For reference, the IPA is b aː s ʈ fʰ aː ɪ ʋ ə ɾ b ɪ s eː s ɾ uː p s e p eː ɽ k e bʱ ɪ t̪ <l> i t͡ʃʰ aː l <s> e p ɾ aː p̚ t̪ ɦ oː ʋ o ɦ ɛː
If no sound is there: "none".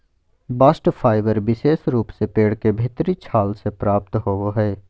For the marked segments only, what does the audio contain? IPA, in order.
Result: ɾ, s

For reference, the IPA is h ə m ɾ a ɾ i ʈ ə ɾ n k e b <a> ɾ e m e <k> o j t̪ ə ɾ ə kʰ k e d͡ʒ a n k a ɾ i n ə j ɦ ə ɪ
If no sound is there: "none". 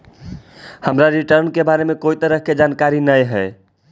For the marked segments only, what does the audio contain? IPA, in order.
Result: a, k

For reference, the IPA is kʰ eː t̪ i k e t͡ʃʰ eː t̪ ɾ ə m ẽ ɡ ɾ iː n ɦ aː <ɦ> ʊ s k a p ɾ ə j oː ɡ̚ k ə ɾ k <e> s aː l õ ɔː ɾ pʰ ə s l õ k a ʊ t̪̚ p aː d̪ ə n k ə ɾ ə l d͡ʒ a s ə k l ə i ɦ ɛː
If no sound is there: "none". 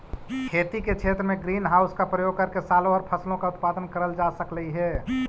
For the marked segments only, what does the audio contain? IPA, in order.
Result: none, e

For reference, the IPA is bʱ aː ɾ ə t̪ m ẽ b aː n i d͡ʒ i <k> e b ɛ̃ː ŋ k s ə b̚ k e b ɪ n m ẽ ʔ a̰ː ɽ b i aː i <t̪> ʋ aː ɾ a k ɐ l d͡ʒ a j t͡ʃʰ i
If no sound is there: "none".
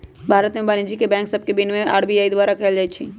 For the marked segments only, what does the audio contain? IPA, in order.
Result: k, d̪

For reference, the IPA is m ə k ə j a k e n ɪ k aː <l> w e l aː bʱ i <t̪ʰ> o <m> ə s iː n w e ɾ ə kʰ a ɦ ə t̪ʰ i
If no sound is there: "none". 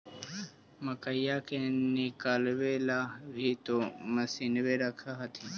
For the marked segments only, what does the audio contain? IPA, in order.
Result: l, t̪, m

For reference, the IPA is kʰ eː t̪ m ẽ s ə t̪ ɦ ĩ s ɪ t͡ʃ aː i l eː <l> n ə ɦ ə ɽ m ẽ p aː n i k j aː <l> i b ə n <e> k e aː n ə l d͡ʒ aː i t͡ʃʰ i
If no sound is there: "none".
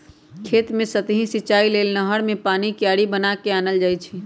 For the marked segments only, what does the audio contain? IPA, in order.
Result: l, ɽ, a

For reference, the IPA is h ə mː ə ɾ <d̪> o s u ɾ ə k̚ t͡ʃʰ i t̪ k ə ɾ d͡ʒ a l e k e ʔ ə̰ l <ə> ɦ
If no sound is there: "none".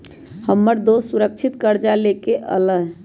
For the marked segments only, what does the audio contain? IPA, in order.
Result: d̪, ə

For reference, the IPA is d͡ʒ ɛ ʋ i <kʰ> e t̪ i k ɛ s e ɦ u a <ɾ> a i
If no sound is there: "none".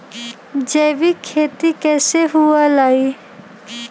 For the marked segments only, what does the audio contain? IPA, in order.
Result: kʰ, l

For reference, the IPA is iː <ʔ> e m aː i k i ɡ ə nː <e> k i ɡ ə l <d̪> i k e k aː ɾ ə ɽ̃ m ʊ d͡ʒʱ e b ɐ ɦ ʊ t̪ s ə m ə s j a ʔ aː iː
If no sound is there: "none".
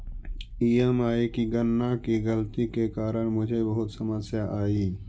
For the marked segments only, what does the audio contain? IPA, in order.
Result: none, a, t̪

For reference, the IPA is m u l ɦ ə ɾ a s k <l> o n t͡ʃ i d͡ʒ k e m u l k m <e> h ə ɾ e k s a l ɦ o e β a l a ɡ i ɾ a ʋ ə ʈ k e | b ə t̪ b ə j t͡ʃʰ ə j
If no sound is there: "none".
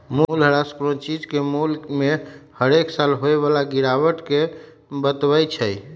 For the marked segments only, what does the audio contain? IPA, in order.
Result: ɾ, e

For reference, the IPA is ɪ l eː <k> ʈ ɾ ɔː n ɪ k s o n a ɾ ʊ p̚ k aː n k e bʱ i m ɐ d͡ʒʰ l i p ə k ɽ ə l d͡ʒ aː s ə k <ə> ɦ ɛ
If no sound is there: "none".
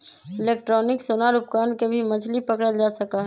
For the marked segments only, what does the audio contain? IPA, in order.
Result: k, a

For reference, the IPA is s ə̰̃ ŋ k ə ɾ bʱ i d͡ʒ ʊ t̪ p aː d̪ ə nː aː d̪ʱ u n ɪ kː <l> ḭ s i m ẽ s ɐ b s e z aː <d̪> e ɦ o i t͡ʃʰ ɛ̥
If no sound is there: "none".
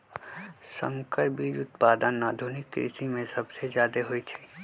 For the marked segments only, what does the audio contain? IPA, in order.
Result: ɾ, d̪

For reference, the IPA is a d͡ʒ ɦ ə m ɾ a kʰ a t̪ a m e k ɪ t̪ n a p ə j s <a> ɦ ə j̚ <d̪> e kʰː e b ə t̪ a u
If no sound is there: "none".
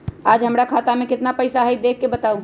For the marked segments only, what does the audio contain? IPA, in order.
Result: a, d̪

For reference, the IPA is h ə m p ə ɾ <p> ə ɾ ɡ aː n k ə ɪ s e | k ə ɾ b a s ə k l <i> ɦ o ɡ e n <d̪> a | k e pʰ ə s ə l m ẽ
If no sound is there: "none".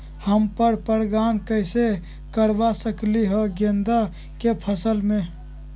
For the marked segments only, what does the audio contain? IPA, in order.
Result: p, i, d̪

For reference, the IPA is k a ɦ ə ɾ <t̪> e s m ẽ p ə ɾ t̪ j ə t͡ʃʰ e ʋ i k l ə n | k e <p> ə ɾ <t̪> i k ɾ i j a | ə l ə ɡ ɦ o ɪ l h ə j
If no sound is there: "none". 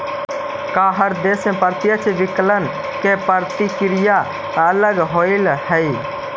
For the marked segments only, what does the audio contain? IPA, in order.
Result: d̪, p, t̪

